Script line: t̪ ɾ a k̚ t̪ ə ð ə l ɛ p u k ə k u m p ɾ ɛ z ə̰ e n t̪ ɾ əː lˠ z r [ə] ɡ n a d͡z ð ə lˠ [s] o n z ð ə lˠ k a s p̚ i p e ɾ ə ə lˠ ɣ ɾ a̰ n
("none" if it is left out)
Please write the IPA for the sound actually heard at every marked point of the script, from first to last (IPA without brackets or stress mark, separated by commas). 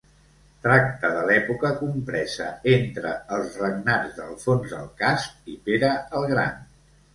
ə, f